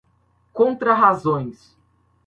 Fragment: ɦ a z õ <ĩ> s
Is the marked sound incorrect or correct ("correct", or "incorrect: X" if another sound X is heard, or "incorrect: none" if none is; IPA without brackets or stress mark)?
incorrect: j̃